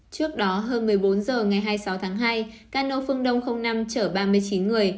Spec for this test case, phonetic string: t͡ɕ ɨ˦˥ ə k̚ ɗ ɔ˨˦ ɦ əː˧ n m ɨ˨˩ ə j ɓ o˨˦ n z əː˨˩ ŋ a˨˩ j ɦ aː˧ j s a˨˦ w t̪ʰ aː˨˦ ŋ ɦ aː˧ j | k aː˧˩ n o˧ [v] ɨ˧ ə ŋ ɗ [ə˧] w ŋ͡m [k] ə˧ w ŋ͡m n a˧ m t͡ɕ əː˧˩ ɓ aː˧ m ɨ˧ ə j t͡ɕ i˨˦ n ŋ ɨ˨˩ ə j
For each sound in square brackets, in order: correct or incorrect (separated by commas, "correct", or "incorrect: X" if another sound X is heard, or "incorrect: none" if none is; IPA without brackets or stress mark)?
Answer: incorrect: f, correct, incorrect: x